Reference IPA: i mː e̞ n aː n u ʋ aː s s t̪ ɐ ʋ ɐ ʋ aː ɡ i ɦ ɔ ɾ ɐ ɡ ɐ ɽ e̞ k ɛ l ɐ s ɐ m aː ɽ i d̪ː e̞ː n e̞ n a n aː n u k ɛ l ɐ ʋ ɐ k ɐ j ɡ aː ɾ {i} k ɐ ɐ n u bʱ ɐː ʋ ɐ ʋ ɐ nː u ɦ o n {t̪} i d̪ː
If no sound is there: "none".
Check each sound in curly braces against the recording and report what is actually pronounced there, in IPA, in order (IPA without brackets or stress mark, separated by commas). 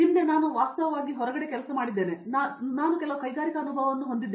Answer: i, d̪